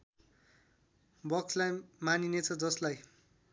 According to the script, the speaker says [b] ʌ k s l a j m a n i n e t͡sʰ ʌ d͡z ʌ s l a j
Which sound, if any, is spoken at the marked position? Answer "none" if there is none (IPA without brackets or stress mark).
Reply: b